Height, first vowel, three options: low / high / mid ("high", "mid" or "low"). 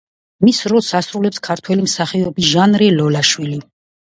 high